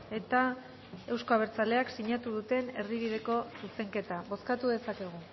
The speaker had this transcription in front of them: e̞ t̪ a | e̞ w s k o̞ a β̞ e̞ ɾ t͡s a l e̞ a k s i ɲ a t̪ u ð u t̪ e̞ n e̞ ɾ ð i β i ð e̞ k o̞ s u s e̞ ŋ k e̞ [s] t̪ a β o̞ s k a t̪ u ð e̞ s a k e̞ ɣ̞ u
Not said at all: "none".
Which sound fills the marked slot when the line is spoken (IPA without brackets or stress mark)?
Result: none